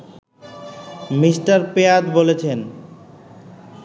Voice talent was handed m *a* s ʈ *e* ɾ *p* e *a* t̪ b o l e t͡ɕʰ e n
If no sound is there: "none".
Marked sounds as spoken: i, a, p, a

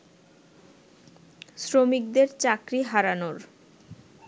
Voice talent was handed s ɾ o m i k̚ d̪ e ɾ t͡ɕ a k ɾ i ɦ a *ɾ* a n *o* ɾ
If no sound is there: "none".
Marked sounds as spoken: ɾ, o

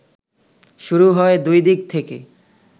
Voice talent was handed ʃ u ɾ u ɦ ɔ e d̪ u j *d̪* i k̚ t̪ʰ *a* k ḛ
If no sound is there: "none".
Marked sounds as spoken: d̪, e

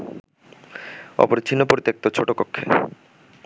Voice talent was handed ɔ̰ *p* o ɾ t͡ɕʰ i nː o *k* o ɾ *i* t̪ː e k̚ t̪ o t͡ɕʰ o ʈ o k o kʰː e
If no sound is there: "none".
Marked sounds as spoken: p, p, i

